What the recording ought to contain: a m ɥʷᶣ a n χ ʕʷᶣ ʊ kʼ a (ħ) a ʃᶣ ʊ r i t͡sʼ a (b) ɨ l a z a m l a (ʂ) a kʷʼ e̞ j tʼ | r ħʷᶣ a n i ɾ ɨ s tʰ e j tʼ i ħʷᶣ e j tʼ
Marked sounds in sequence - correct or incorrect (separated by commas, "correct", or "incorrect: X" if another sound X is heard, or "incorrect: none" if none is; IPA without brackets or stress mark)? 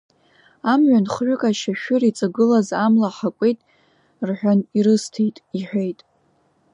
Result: incorrect: ʃ, incorrect: ɡ, incorrect: ħ